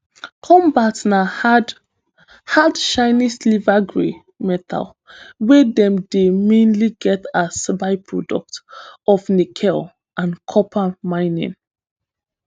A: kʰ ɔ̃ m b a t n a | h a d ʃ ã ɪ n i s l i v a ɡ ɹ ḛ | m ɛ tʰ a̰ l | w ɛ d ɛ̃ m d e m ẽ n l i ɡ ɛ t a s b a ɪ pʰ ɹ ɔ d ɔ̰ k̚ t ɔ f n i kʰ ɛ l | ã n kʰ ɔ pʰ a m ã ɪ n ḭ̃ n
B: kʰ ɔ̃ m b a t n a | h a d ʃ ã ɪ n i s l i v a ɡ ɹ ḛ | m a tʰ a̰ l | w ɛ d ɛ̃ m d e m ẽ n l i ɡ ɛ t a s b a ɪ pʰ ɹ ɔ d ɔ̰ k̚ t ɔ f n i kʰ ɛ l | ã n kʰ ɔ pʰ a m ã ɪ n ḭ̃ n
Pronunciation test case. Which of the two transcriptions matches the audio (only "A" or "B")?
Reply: A